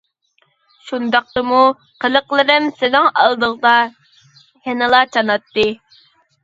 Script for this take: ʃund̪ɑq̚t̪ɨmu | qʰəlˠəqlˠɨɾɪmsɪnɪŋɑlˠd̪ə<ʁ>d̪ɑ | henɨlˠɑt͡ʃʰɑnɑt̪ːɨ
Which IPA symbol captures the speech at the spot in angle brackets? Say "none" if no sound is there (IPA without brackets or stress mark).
ʁ